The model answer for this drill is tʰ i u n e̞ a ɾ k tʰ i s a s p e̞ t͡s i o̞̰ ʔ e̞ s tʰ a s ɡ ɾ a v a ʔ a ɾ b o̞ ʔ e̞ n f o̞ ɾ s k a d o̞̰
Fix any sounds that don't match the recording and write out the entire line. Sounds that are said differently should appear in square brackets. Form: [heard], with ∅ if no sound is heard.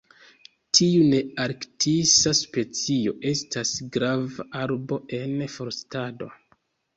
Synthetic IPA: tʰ i u n e̞ a ɾ k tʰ i s a s p e̞ t͡s i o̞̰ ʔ e̞ s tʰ a s ɡ ɾ a v a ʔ a ɾ b o̞ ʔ e̞ n f o̞ ɾ s [t] a d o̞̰